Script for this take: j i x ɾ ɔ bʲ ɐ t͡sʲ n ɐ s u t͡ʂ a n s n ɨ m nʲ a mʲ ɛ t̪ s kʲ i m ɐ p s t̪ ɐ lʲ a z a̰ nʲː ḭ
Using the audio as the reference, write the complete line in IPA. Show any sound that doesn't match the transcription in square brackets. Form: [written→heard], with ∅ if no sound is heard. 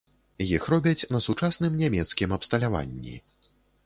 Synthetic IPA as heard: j i x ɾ ɔ bʲ ɐ t͡sʲ n ɐ s u t͡ʂ a [n→∅] s n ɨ m nʲ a mʲ ɛ t̪ s kʲ i m ɐ p s t̪ ɐ lʲ a [z→v] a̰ nʲː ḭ